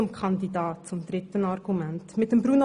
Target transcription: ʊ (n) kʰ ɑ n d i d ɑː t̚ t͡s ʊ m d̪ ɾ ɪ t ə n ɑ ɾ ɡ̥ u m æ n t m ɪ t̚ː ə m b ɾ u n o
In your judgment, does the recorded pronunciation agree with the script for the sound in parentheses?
no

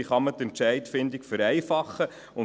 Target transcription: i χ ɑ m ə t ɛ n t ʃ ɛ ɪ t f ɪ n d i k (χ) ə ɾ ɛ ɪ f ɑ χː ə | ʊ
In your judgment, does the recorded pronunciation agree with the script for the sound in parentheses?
no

